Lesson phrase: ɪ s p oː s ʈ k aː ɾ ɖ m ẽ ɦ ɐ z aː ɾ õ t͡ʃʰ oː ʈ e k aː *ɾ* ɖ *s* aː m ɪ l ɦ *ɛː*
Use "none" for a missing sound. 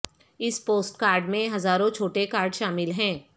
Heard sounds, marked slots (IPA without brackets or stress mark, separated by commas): ɾ, ʃ, ɛ̃ː